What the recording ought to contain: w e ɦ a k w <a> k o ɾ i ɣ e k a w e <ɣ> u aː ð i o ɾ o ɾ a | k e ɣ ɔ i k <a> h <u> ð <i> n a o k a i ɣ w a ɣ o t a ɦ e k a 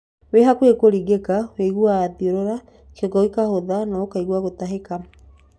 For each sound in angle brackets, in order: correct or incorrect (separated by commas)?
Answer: incorrect, correct, correct, incorrect, incorrect